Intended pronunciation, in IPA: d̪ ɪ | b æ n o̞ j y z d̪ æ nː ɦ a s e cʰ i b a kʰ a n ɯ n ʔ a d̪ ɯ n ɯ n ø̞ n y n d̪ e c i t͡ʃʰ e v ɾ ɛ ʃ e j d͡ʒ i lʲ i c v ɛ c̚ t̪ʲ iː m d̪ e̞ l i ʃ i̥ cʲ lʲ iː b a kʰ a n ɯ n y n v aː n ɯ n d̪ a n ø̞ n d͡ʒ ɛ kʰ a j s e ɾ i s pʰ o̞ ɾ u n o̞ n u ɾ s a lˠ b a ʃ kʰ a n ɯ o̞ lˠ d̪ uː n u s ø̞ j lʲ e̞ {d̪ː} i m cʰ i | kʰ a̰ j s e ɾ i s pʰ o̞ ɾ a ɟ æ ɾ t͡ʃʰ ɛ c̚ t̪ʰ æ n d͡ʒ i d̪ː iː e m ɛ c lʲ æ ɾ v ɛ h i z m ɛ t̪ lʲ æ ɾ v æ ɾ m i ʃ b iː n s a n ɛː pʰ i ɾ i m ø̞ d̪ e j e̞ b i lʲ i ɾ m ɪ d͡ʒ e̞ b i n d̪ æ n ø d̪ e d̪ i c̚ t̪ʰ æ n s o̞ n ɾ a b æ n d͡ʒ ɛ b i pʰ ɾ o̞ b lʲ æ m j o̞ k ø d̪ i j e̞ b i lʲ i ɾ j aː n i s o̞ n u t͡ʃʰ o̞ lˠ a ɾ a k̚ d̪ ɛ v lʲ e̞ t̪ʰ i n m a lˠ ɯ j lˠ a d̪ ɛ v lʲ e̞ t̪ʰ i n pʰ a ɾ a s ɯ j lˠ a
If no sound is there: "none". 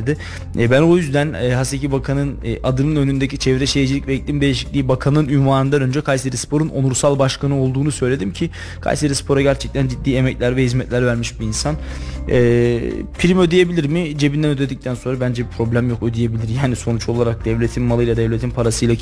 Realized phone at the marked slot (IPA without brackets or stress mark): d̪